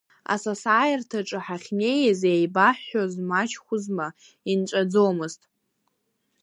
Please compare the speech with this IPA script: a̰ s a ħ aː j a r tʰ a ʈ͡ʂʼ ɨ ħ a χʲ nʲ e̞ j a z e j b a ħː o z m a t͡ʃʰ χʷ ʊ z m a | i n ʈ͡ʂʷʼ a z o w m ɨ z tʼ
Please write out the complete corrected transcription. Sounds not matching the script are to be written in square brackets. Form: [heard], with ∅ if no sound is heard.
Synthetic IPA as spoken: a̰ s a [s] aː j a r tʰ a ʈ͡ʂʼ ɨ ħ a χʲ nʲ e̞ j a z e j b a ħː o z m a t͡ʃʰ χʷ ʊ z m a | i n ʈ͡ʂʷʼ a [d͡z] o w m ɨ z tʼ